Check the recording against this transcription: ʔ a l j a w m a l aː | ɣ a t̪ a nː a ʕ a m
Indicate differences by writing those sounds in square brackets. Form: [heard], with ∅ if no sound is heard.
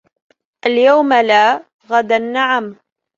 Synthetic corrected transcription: ʔ a l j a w m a l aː | ɣ a [d̪] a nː a ʕ a m